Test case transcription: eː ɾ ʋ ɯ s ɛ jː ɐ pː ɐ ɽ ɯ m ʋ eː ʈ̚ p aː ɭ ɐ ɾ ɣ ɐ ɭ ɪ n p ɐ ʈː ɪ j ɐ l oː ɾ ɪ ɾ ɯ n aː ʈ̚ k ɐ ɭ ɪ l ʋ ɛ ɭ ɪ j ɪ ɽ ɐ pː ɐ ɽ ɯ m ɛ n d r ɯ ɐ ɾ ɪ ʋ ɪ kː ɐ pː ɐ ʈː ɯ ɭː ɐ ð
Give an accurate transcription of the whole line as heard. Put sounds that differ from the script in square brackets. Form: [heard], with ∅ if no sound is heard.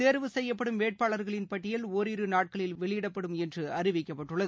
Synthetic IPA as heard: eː ɾ ʋ ɯ s ɛ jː ɐ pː ɐ ɽ ɯ m ʋ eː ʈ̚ p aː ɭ ɐ ɾ ɣ ɐ ɭ ɪ n p ɐ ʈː ɪ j ɐ l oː ɾ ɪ ɾ ɯ n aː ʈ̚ k ɐ ɭ ɪ l ʋ ɛ ɭ ɪ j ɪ ɽ ɐ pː ɐ ɽ ɯ m ɛ n d r ɯ ɐ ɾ ɪ ʋ ɪ kː ɐ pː ɐ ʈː ɯ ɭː ɐ ð